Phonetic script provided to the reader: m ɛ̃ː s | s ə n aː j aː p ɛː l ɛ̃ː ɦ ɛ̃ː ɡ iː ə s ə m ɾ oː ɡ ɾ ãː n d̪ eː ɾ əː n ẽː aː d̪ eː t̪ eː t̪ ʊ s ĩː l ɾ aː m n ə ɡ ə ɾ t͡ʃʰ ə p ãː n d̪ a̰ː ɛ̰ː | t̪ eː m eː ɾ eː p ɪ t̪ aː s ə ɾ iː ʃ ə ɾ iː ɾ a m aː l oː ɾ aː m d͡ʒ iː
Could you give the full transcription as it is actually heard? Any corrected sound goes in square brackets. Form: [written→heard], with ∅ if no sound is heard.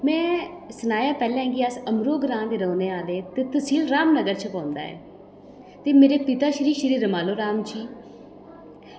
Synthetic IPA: m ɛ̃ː [s→∅] | s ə n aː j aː p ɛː l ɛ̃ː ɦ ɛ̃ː ɡ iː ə s ə m ɾ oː ɡ ɾ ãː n d̪ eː ɾ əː n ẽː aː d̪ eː t̪ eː t̪ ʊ s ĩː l ɾ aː m n ə ɡ ə ɾ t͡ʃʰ ə p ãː n d̪ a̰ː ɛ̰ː | t̪ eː m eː ɾ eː p ɪ t̪ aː [s→ʃ] ə ɾ iː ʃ ə ɾ iː ɾ [a→ə] m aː l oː ɾ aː m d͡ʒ iː